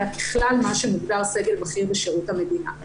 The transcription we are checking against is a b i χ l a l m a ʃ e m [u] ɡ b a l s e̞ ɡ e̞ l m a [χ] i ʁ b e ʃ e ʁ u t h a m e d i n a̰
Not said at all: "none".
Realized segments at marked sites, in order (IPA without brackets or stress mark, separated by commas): u, χ